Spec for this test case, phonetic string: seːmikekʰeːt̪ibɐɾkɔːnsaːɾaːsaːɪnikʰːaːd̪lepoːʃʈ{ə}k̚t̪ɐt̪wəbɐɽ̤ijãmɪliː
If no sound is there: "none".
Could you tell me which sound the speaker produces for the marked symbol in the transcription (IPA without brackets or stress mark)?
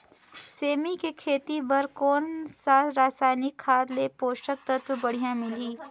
ə